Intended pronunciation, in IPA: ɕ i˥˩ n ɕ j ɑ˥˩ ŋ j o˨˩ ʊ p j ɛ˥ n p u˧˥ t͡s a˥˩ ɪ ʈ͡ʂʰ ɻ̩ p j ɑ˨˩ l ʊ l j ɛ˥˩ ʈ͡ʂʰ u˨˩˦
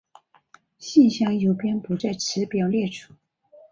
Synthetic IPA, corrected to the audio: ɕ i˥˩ n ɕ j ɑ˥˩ ŋ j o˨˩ ʊ p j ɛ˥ n p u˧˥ t͡s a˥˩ ɪ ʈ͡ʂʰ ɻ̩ p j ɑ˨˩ ʊ l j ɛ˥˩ ʈ͡ʂʰ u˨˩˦